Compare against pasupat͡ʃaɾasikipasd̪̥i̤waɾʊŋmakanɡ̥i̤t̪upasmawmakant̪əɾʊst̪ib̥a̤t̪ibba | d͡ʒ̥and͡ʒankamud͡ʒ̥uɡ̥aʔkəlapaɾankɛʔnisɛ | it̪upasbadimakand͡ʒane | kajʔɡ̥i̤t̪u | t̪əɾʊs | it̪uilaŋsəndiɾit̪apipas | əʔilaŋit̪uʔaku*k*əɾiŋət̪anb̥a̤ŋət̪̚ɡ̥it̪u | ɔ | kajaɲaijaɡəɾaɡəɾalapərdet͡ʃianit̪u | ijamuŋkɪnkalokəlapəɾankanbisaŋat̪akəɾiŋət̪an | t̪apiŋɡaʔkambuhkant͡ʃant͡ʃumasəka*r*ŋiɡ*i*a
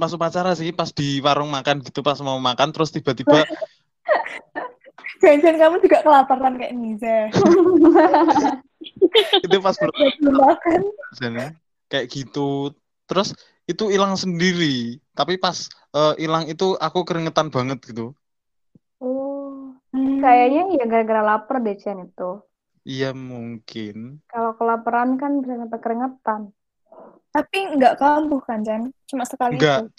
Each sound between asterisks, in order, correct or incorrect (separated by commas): correct, incorrect, incorrect